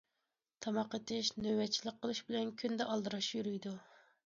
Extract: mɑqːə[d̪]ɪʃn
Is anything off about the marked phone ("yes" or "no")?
yes